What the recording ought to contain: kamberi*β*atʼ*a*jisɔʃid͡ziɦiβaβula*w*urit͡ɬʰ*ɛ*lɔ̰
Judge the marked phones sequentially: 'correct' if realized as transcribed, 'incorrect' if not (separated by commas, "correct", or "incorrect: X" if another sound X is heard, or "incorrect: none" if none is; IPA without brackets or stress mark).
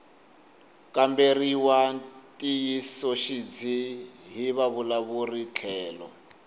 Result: incorrect: w, incorrect: i, incorrect: β, incorrect: ɛː